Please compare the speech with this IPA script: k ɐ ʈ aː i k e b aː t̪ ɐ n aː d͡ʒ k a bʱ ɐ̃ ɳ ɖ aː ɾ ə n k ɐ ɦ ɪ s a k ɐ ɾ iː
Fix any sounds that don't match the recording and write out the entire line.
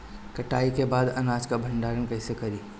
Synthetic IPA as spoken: k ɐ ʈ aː i k e b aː d̪ ɐ n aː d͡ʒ k a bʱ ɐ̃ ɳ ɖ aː ɾ ə n k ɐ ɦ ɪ s e k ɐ ɾ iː